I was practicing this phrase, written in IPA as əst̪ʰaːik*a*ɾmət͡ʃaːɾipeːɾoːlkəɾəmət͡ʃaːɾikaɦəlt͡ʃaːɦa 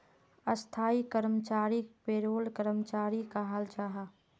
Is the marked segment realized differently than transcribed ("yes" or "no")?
yes